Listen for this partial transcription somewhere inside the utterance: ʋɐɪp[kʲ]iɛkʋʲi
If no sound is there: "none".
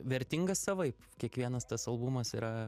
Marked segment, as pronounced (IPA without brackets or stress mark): kʲ